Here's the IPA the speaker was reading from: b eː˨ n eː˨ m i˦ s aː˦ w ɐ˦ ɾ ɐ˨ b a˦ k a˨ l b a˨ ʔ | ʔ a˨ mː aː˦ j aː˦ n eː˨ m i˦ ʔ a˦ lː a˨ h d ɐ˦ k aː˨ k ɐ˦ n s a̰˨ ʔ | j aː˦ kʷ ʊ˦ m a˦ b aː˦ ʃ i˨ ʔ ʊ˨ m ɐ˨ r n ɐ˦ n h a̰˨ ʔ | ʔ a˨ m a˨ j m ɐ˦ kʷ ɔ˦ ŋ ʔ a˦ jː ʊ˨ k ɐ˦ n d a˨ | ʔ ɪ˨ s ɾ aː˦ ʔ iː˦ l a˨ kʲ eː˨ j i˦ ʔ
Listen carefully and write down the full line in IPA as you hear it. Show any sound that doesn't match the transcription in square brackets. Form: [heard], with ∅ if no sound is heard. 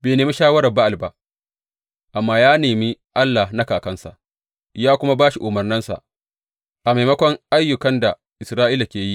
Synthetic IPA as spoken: b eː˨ n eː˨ m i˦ [ʃ] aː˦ w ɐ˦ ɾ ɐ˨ b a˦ [ʔ] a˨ l b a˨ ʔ | ʔ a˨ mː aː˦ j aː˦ n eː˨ m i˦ ʔ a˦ lː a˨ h [n] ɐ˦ k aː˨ k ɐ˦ n s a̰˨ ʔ | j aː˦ kʷ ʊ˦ m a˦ b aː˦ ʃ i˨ ʔ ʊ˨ m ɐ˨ r n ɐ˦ n [s] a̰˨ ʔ | ʔ a˨ m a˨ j m ɐ˦ kʷ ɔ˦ ŋ ʔ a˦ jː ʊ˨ k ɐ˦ n d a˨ | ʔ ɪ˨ s ɾ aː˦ ʔ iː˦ l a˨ kʲ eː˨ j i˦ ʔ